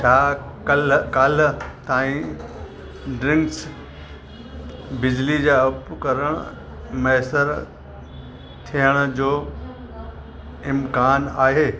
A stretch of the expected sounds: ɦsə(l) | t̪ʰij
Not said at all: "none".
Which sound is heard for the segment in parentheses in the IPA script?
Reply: ɾ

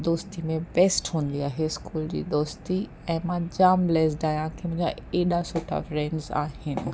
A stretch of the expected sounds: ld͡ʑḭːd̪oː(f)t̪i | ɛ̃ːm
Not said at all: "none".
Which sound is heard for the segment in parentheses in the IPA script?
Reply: s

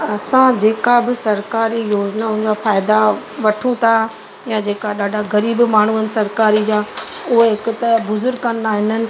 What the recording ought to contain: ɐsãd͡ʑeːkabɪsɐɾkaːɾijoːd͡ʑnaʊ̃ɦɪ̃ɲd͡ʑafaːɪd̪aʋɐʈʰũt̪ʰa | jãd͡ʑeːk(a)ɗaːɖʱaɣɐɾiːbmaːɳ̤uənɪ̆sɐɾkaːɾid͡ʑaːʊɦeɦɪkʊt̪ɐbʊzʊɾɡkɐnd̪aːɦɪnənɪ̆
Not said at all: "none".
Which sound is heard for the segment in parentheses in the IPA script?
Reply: a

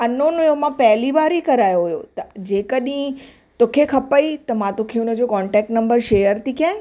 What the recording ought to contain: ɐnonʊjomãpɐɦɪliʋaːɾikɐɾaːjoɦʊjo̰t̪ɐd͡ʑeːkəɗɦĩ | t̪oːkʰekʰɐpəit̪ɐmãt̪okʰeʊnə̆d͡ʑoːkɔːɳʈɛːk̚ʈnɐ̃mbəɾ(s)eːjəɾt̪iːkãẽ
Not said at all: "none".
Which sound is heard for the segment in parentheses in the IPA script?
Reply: ʃ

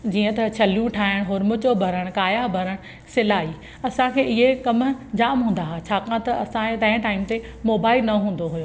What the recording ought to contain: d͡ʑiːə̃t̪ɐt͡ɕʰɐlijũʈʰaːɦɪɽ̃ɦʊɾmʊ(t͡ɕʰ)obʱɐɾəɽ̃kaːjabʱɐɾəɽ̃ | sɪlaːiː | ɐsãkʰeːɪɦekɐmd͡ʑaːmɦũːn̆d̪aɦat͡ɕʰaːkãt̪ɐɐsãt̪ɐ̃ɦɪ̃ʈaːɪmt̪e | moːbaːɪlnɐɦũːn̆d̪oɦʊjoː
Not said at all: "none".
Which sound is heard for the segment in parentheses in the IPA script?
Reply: t͡ɕ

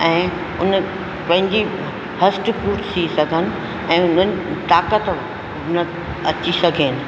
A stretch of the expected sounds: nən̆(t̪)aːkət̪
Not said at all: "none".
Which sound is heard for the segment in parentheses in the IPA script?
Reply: t̪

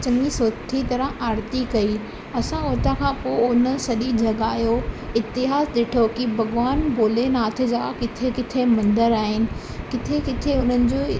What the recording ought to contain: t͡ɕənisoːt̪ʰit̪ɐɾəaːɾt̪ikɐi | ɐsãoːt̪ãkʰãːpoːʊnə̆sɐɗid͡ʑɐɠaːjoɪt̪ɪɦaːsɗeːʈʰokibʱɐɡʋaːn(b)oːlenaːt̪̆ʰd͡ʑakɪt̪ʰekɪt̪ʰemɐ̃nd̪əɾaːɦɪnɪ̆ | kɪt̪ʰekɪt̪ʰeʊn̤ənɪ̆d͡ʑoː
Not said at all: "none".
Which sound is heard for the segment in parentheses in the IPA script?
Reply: b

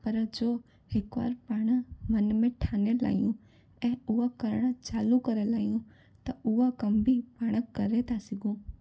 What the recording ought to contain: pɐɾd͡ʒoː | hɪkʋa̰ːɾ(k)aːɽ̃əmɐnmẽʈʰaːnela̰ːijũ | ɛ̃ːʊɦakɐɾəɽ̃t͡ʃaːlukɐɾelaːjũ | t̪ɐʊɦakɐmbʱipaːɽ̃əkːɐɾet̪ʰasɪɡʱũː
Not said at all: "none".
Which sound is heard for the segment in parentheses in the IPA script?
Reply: p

